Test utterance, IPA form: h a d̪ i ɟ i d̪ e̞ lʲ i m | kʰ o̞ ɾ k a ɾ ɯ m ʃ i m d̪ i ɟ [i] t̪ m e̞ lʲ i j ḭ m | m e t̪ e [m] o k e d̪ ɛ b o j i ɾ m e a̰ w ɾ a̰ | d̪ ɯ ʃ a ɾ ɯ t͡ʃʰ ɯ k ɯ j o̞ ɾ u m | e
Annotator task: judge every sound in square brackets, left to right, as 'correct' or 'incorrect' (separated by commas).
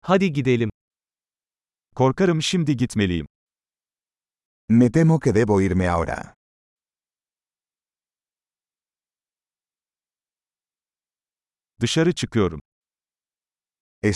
correct, correct